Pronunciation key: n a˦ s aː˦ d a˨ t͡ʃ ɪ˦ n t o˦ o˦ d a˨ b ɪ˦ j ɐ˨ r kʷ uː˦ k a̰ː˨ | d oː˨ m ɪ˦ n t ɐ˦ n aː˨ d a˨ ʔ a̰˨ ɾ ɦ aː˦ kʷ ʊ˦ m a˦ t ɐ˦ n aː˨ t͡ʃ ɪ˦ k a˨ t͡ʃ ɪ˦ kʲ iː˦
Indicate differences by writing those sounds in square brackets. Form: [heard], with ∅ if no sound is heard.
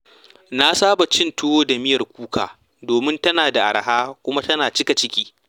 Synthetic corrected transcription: n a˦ s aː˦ [b] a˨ t͡ʃ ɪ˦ n t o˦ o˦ d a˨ [m] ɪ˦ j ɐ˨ r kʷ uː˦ k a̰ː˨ | d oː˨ m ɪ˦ n t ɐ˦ n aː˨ d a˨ ʔ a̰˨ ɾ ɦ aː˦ kʷ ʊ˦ m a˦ t ɐ˦ n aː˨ t͡ʃ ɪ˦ k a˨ t͡ʃ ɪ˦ kʲ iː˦